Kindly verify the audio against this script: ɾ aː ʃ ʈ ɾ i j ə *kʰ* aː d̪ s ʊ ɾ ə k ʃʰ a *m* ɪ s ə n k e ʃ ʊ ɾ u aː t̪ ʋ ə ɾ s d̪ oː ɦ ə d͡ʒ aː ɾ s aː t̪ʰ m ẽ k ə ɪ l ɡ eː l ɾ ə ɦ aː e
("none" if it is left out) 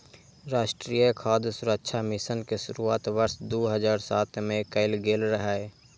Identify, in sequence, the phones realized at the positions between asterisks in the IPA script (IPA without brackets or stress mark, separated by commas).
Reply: kʰ, m